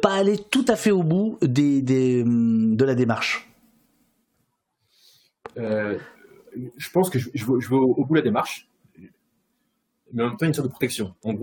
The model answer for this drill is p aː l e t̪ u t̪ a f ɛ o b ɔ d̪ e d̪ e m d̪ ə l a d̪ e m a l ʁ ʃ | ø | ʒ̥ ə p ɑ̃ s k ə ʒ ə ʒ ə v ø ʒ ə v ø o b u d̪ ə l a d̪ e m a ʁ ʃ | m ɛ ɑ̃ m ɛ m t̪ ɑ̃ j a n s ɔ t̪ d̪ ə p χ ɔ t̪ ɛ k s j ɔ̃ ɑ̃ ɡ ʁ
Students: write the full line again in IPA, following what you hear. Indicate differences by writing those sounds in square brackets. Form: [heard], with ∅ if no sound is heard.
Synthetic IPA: p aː l e t̪ u t̪ a f ɛ o b [u] d̪ e d̪ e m d̪ ə l a d̪ e m a [∅] ʁ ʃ | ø | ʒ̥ ə p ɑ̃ s k ə ʒ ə ʒ ə v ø ʒ ə v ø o b u d̪ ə l a d̪ e m a ʁ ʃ | m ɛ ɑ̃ m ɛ m t̪ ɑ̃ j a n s ɔ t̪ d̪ ə p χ ɔ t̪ ɛ k s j ɔ̃ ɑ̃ ɡ ʁ